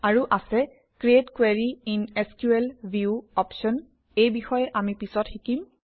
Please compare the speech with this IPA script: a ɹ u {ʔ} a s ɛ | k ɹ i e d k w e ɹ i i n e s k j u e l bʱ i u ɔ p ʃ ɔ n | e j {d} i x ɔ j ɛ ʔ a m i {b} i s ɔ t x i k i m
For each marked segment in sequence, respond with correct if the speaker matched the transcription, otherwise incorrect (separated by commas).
correct, incorrect, incorrect